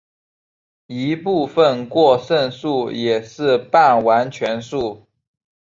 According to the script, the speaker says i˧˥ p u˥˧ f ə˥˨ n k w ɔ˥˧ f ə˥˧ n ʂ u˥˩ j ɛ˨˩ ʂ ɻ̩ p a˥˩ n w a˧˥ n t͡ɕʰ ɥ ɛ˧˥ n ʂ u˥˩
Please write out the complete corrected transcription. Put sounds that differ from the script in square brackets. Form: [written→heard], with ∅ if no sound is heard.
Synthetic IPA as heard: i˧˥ p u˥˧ f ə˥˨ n k w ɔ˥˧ [f→ʂ] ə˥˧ n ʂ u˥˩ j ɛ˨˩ ʂ ɻ̩ p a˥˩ n w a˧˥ n t͡ɕʰ ɥ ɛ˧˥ n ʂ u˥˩